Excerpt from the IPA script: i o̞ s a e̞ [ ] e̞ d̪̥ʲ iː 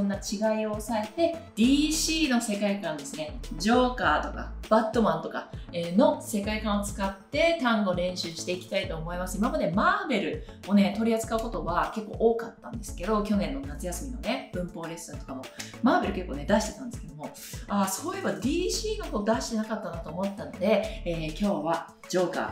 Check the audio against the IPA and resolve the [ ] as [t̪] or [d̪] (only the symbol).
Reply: t̪